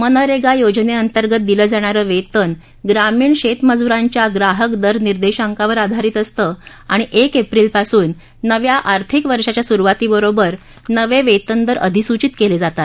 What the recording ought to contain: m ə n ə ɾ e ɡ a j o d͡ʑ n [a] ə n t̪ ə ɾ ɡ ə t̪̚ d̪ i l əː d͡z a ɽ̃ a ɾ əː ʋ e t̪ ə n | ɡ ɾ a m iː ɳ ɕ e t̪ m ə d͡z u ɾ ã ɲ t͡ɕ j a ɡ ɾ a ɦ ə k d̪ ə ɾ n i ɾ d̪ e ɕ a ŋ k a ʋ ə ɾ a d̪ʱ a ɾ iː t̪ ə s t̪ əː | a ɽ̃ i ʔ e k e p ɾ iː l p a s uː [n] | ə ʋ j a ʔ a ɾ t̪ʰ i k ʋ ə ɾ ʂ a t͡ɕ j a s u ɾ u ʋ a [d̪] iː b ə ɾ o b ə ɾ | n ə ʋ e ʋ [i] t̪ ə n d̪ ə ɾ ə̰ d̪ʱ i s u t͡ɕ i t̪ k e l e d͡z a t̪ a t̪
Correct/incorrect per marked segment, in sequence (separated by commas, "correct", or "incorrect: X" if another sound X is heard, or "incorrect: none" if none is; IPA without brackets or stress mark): incorrect: e, incorrect: nː, incorrect: t̪, incorrect: e